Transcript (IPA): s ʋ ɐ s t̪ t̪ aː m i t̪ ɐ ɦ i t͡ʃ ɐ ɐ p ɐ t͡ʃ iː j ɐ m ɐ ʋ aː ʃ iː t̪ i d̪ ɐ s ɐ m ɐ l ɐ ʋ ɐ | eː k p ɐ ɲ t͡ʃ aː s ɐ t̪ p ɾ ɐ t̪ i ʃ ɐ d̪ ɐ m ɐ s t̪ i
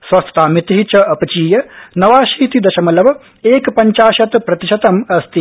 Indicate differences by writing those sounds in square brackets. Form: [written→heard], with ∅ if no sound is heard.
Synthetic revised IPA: s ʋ ɐ s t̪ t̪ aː m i t̪ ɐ ɦ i t͡ʃ ɐ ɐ p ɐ t͡ʃ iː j ɐ [m→n] ɐ ʋ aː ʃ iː t̪ i d̪ ɐ [s→ʃ] ɐ m ɐ l ɐ ʋ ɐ | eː k p ɐ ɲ t͡ʃ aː [s→ʃ] ɐ t̪ p ɾ ɐ t̪ i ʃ ɐ [d̪→t̪] ɐ m ɐ s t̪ i

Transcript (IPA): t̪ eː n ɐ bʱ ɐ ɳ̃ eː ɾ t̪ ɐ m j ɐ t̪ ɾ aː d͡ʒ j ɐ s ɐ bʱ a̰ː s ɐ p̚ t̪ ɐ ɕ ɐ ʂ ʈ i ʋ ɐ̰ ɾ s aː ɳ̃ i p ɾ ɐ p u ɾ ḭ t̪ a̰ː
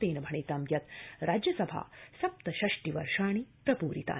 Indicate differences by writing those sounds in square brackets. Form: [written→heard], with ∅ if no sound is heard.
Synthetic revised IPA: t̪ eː n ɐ bʱ ɐ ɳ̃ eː [ɾ→∅] t̪ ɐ m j ɐ t̪ ɾ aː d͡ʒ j ɐ s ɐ bʱ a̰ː s ɐ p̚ t̪ ɐ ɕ ɐ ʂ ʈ i ʋ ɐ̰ ɾ [s→ʂ] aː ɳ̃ i p ɾ ɐ p [u→uː] ɾ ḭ t̪ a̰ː

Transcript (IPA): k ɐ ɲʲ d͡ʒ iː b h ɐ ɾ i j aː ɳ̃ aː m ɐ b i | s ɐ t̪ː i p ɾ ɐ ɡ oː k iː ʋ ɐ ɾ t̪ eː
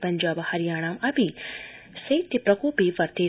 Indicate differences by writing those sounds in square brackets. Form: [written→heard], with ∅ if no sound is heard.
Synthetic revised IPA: [k→p] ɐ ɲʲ d͡ʒ [iː→aː] b h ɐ ɾ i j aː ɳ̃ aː m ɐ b i | s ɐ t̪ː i p ɾ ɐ [ɡ→k] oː [k→p] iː ʋ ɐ ɾ t̪ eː

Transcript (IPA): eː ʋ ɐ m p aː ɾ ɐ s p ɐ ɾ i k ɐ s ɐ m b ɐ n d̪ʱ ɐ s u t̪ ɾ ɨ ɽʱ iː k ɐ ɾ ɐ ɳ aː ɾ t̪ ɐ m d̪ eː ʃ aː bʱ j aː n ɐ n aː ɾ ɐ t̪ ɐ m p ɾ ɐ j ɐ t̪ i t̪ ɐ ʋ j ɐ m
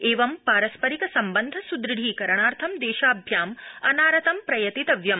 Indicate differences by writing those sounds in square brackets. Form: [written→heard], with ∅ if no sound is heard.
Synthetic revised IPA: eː ʋ ɐ m p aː ɾ ɐ s p ɐ ɾ i k ɐ s ɐ m b ɐ n d̪ʱ ɐ s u [t̪→d̪] ɾ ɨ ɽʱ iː k ɐ ɾ ɐ ɳ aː ɾ [t̪→t̪ʰ] ɐ m d̪ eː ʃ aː bʱ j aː [n→m] ɐ n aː ɾ ɐ t̪ ɐ m p ɾ ɐ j ɐ t̪ i t̪ ɐ ʋ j ɐ m

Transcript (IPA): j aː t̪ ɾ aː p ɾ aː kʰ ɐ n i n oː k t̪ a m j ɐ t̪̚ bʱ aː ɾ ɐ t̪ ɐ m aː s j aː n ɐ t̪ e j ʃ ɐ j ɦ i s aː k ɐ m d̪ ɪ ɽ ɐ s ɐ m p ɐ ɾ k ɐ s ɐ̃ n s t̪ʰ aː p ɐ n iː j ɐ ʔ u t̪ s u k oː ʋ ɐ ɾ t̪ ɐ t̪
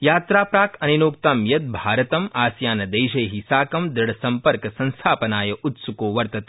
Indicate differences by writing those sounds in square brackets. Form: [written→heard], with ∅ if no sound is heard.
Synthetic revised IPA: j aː t̪ ɾ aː p ɾ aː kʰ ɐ n i n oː k t̪ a m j ɐ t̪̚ bʱ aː ɾ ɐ t̪ ɐ m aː s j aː n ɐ [t̪→d̪] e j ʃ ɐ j ɦ i s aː k ɐ m d̪ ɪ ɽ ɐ s ɐ m p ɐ ɾ k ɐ s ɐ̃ n s t̪ʰ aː p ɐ n [iː→aː] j ɐ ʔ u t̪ s u k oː ʋ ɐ ɾ t̪ ɐ t̪

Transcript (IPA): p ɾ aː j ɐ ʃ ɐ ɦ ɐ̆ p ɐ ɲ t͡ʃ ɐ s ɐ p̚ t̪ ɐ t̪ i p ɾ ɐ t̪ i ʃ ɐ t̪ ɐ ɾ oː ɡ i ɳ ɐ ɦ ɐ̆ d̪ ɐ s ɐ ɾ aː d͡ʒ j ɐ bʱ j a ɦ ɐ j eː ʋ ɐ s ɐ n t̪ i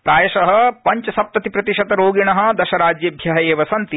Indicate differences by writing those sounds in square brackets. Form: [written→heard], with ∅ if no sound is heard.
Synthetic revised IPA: p ɾ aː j ɐ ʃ ɐ ɦ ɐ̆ p ɐ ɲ t͡ʃ ɐ s ɐ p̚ t̪ ɐ t̪ i p ɾ ɐ t̪ i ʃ ɐ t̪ ɐ ɾ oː ɡ i ɳ ɐ ɦ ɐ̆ d̪ ɐ [s→ʃ] ɐ ɾ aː d͡ʒ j ɐ bʱ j [a→ɐ] ɦ ɐ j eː ʋ ɐ s ɐ n t̪ i

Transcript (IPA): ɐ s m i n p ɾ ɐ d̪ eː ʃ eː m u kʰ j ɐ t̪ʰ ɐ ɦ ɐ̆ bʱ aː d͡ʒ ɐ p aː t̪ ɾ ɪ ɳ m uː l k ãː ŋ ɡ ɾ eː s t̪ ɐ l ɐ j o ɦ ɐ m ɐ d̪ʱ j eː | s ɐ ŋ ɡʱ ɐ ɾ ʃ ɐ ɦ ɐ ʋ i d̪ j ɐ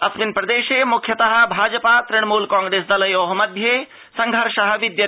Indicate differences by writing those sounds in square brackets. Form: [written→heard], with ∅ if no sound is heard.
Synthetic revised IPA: ɐ s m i n p ɾ ɐ d̪ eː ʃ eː m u kʰ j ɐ [t̪ʰ→t̪] ɐ ɦ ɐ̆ bʱ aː d͡ʒ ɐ p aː t̪ ɾ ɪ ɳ m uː l k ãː ŋ ɡ ɾ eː s [t̪→d̪] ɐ l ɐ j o ɦ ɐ m ɐ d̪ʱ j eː | s ɐ ŋ ɡʱ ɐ ɾ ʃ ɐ ɦ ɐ ʋ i d̪ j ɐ

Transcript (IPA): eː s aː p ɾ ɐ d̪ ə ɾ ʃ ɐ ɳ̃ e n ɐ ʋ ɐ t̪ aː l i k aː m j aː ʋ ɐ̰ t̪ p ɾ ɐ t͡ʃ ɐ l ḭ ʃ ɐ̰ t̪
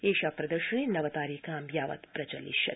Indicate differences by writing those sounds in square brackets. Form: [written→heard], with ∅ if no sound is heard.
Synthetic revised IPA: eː [s→ʃ] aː p ɾ ɐ d̪ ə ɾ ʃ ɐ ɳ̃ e n ɐ ʋ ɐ t̪ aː [l→ɾ] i k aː m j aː ʋ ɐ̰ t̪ p ɾ ɐ t͡ʃ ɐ l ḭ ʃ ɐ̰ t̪

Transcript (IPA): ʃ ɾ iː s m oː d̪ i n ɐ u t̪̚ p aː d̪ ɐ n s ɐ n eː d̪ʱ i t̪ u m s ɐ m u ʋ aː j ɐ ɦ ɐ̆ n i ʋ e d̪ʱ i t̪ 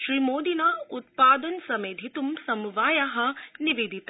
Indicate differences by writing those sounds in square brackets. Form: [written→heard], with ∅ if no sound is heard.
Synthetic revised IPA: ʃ ɾ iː [s→∅] m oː d̪ i n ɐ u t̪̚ p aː d̪ ɐ n s ɐ [n→m] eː d̪ʱ i t̪ u m s ɐ m u ʋ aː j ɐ ɦ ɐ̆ n i ʋ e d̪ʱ i t̪

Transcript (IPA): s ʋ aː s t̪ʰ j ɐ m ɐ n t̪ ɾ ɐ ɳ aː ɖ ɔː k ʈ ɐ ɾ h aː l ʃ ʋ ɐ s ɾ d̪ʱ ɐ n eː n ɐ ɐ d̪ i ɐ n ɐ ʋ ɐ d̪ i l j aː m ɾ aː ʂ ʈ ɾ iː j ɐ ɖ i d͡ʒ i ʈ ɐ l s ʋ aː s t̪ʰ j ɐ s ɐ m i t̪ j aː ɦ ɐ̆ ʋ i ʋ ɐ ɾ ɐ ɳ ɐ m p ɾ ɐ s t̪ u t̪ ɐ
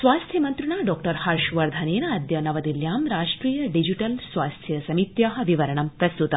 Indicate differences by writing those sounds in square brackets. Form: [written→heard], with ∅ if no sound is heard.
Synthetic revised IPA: s ʋ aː s t̪ʰ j ɐ m ɐ n t̪ ɾ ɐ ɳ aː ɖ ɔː k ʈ ɐ ɾ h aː [l→ɾ] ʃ ʋ ɐ [s→∅] ɾ d̪ʱ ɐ n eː n ɐ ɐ d̪ [i→j] ɐ n ɐ ʋ ɐ d̪ i l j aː m ɾ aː ʂ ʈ ɾ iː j ɐ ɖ i d͡ʒ i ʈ ɐ l s ʋ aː s t̪ʰ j ɐ s ɐ m i t̪ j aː ɦ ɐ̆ ʋ i ʋ ɐ ɾ ɐ ɳ ɐ m p ɾ ɐ s t̪ u t̪ ɐ

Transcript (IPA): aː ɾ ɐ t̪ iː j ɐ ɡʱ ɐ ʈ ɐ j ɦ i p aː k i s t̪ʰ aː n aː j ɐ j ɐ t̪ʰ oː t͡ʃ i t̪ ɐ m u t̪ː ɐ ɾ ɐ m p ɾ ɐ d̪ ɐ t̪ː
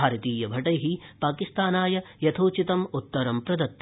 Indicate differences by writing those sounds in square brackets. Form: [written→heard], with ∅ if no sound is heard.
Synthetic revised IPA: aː ɾ ɐ t̪ iː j ɐ [ɡʱ→bʱ] ɐ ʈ ɐ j ɦ i p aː k i s [t̪ʰ→t̪] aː n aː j ɐ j ɐ t̪ʰ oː t͡ʃ i t̪ ɐ m u t̪ː ɐ ɾ ɐ m p ɾ ɐ d̪ ɐ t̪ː

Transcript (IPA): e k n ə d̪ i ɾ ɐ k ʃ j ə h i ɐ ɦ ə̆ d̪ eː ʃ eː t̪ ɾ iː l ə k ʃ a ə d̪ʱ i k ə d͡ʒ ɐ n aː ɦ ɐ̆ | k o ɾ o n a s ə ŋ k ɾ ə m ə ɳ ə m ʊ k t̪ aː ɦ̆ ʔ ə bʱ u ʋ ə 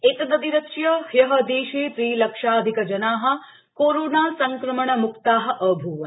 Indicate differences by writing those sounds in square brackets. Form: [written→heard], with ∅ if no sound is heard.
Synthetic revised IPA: e k n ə d̪ i ɾ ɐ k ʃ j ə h [i→j] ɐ ɦ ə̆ d̪ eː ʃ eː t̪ ɾ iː l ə k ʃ a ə d̪ʱ i k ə d͡ʒ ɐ n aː ɦ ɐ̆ | k o ɾ o n a s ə ŋ k ɾ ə m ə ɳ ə m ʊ k t̪ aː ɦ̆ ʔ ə bʱ u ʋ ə

